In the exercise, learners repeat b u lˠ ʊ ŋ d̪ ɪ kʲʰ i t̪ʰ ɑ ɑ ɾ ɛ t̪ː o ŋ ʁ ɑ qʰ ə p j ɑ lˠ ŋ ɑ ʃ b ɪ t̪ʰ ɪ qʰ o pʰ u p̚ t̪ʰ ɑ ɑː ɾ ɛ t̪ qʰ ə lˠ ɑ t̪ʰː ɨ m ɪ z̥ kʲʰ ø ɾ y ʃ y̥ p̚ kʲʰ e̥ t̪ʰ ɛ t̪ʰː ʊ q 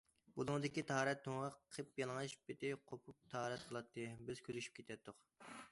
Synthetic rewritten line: b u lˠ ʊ ŋ d̪ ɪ kʲ i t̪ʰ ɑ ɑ ɾ ɛ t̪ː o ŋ ʁ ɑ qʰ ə p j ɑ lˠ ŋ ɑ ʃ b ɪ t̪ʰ ɪ qʰ o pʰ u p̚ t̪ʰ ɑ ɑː ɾ ɛ t̪ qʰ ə lˠ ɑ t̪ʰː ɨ b ɪ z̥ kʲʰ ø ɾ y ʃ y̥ p̚ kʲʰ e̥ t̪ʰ ɛ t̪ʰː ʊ q

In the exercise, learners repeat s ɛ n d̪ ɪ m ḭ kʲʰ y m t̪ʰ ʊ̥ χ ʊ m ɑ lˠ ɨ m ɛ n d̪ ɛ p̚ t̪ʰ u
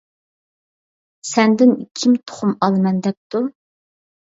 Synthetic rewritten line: s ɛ n d̪ ɪ n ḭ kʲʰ i m t̪ʰ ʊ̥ χ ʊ m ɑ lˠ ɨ m ɛ n d̪ ɛ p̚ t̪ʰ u

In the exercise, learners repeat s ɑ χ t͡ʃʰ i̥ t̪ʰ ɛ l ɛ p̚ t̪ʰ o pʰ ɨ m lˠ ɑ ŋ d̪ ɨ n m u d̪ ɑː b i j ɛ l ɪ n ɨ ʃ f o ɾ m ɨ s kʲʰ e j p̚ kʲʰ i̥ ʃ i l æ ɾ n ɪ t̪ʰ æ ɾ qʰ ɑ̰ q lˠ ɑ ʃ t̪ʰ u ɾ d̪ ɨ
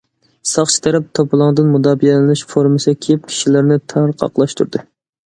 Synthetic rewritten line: s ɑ χ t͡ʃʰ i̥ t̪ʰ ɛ ɾ ɛ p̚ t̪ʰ o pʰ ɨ lˠ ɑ ŋ d̪ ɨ n m u d̪ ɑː b i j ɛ l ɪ n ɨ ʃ f o ɾ m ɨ s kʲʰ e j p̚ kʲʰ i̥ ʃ i l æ ɾ n ɪ t̪ʰ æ ɾ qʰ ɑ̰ q lˠ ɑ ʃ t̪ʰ u ɾ d̪ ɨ

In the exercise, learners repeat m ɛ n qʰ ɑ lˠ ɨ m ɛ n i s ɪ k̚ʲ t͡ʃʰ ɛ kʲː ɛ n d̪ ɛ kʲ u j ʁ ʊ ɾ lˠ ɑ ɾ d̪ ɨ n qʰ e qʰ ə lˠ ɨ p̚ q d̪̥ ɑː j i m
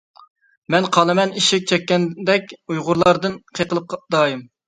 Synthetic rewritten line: m ɛ n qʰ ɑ lˠ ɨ m ɛ n i ʃ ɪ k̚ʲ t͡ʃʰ ɛ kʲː ɛ n d̪ ɛ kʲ u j ʁ ʊ ɾ lˠ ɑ ɾ d̪ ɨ n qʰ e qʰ ə lˠ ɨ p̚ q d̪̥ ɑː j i m

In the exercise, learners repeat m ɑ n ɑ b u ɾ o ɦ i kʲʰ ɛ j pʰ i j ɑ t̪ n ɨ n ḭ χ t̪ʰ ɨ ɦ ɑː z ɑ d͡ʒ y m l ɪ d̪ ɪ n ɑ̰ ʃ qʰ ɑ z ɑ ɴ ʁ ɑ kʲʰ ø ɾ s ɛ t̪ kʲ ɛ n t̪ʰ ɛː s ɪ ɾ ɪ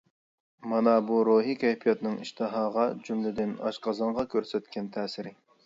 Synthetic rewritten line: m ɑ n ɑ b u ɾ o ɦ i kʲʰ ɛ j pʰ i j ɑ t̪ n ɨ ŋ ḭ ʃ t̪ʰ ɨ ɦ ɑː ʁ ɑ d͡ʒ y m l ɪ d̪ ɪ n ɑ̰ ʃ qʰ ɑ z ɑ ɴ ʁ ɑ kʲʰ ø ɾ s ɛ t̪ kʲ ɛ n t̪ʰ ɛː s ɪ ɾ ɪ

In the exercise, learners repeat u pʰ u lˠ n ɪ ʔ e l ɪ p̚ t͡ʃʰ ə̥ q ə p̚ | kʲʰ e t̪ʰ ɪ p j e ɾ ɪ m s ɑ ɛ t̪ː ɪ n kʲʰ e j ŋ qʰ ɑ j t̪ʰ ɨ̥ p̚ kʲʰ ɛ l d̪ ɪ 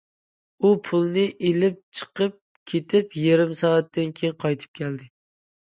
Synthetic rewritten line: u pʰ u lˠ n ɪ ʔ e l ɪ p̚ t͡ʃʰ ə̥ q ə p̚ | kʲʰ e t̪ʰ ɪ p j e ɾ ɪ m s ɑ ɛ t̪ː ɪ n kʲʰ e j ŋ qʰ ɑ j t̪ʰ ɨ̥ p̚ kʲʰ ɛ l d̪ ɪ

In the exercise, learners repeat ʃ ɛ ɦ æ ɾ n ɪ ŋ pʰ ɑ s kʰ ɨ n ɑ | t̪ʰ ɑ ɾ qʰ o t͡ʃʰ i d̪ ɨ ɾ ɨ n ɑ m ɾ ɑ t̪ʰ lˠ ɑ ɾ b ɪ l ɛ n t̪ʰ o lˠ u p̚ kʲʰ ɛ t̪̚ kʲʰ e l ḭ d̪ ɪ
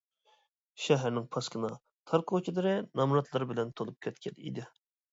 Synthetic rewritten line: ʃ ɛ ɦ æ ɾ n ɪ ŋ pʰ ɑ s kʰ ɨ n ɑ | t̪ʰ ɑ ɾ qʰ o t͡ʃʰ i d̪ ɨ ɾ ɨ n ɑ m ɾ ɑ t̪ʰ lˠ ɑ ɾ b ɪ l ɛ n t̪ʰ o lˠ u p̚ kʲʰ ɛ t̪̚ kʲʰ ɛ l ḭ d̪ ɪ

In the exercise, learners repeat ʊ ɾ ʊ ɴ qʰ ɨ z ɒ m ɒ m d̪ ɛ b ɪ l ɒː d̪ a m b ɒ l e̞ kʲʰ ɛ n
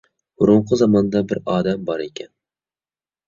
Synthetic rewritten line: ʊ ɾ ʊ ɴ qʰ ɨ z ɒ m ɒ n d̪ a b ɪ ɾ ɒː d̪ a m b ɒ ɾ e̞ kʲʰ a n

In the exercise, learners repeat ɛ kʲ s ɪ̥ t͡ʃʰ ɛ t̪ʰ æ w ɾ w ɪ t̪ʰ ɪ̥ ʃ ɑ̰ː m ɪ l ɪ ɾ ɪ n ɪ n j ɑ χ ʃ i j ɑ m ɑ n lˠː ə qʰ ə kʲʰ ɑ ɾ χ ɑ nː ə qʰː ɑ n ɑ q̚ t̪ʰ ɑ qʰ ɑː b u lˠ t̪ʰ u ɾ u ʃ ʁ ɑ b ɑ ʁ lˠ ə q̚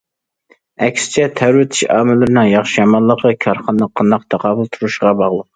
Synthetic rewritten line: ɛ kʲ s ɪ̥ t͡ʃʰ ɛ t̪ʰ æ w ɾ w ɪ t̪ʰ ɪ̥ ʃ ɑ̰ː m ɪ l ɪ ɾ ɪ n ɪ ŋ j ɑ χ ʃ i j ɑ m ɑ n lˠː ə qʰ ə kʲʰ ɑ ɾ χ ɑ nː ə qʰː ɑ n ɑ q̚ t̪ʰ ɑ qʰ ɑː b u lˠ t̪ʰ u ɾ u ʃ ʁ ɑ b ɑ ʁ lˠ ə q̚

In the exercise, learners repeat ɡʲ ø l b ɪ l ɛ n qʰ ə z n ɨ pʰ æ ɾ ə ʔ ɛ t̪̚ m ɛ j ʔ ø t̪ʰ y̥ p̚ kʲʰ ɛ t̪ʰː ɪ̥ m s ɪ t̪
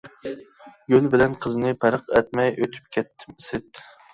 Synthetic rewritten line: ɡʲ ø l b ɪ l ɛ n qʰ ə z n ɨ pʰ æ ɾ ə q ɛ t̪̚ m ɛ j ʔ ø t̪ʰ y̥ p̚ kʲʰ ɛ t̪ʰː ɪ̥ m s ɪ t̪

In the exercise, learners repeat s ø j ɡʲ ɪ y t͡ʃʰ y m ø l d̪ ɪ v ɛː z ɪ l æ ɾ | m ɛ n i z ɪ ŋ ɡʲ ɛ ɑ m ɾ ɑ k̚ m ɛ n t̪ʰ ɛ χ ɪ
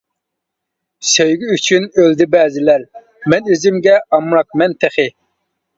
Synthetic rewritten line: s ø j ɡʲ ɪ y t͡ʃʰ y n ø l d̪ ɪ b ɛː z ɪ l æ ɾ | m ɛ n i z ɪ m ɡʲ ɛ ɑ m ɾ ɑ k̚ m ɛ n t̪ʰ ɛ χ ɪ

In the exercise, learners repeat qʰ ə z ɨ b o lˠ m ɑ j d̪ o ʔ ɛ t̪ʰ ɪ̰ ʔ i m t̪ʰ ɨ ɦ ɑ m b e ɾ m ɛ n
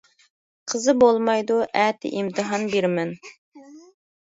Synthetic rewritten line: qʰ ə z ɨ b o lˠ m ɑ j d̪ u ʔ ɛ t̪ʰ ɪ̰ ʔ i m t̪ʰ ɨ ɦ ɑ n b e ɾ m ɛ n

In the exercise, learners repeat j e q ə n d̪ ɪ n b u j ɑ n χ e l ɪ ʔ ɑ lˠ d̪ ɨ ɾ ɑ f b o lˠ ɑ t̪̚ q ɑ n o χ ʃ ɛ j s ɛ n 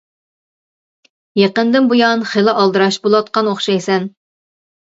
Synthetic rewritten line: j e q ə n d̪ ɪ n b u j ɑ n χ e l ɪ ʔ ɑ lˠ d̪ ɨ ɾ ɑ ʃ b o lˠ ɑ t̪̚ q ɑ n o χ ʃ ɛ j s ɛ n

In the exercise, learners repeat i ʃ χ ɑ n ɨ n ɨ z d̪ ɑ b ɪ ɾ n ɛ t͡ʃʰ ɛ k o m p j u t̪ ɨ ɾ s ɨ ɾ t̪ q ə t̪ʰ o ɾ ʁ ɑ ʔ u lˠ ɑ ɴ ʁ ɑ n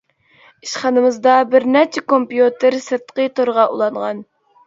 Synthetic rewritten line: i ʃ χ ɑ n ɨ m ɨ z d̪ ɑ b ɪ ɾ n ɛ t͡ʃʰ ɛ k o m p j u t̪ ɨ ɾ s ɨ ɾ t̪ q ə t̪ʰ o ɾ ʁ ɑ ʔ u lˠ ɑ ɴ ʁ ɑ n

